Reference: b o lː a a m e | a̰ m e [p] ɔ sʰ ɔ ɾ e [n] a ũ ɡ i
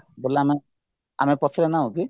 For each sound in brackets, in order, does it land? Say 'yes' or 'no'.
yes, yes

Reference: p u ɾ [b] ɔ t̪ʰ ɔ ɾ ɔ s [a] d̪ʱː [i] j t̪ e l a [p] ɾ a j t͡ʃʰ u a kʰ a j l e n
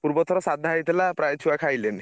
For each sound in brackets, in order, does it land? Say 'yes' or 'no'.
yes, yes, no, yes

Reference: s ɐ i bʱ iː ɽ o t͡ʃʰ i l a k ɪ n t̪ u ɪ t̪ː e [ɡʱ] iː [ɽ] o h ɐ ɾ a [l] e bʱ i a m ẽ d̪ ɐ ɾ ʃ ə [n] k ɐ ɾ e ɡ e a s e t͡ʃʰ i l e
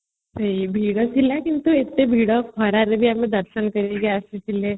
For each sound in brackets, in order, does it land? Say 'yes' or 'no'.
no, yes, no, yes

